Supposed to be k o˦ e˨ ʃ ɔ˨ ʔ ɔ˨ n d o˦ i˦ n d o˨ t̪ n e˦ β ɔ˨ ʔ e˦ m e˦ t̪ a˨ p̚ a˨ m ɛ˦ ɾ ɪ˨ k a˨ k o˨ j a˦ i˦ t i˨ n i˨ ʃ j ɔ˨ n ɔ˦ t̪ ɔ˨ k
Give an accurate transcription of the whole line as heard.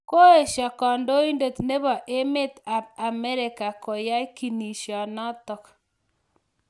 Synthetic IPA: k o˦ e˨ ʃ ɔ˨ k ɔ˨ n d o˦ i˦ n d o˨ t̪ n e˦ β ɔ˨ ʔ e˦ m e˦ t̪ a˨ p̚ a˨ m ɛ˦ ɾ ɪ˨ k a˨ k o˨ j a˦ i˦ k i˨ n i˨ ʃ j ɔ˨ n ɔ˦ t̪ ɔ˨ k